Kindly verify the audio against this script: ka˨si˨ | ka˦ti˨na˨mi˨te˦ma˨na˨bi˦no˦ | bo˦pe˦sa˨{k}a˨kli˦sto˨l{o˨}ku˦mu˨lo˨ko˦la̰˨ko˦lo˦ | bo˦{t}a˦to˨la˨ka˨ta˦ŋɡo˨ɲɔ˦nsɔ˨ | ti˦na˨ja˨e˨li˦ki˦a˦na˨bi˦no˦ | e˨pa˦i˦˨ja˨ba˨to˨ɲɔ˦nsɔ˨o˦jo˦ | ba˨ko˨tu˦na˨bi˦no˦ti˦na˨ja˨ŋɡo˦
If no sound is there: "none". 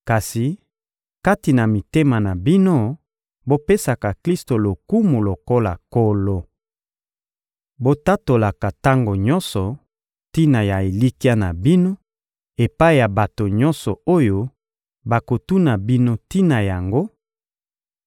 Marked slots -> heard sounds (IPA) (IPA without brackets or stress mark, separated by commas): k, o˨, t